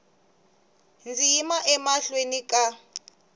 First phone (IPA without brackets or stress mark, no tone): n